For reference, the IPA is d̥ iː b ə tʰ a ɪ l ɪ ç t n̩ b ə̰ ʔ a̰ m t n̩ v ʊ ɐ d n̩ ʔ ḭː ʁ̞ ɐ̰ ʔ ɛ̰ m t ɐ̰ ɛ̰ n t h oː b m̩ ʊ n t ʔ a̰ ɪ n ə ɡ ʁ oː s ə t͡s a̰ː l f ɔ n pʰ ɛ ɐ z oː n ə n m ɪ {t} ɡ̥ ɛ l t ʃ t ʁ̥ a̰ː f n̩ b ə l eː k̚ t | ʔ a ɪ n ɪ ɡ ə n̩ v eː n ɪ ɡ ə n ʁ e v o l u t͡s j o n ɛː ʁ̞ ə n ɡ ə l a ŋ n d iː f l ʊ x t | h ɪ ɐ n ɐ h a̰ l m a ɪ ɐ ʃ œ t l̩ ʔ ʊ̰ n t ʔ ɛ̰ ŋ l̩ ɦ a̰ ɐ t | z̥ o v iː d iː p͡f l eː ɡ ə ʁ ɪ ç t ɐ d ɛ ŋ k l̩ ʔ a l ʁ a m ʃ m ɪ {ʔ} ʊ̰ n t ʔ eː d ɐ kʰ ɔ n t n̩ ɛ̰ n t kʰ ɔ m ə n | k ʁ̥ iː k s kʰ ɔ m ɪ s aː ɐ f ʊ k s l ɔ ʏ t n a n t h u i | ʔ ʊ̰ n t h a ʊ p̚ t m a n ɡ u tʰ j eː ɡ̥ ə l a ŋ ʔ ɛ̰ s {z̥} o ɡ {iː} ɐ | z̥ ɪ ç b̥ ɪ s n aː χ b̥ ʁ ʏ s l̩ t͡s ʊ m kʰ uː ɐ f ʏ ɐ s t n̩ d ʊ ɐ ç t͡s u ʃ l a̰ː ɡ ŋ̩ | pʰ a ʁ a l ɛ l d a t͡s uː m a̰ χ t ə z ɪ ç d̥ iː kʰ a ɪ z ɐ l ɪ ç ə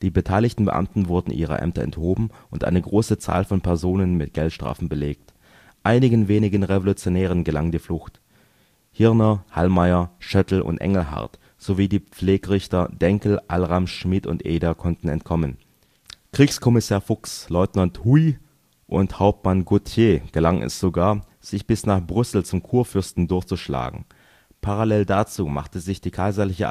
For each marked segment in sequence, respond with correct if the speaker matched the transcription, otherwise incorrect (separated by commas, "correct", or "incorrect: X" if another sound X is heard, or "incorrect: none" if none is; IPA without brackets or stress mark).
correct, incorrect: t, correct, incorrect: aː